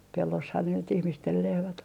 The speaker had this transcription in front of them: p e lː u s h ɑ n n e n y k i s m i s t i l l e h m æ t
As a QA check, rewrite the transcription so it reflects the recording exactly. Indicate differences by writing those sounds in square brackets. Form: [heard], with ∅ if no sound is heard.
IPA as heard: p e lː [o] s h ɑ n n e n y [t] i [h] m i s t [e] l l e h m æ t